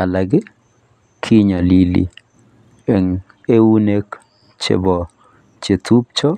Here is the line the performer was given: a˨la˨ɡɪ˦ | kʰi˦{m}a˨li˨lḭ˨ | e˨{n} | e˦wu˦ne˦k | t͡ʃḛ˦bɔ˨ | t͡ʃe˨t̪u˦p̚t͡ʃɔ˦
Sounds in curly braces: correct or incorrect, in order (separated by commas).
incorrect, incorrect